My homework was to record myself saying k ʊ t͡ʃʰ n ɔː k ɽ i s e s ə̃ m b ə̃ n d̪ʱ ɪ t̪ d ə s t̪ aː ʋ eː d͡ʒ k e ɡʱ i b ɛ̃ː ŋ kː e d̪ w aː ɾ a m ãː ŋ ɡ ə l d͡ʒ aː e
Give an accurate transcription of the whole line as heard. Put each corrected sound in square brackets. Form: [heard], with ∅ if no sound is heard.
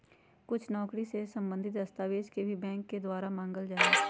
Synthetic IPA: k ʊ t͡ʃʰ n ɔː k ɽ i s e s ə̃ m b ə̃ n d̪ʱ ɪ t̪ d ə s t̪ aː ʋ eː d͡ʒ k e [bʱ] i b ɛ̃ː ŋ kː e d̪ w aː ɾ a m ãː ŋ ɡ ə l d͡ʒ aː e